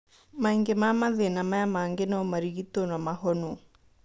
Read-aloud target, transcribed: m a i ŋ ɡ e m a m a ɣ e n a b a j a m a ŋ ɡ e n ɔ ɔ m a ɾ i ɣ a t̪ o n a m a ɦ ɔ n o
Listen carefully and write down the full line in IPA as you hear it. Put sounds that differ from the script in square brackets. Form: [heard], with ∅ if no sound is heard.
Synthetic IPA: m a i ŋ ɡ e m a m a [ð] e n a [m] a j a m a ŋ ɡ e n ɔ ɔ m a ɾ i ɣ [i] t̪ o n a m a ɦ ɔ n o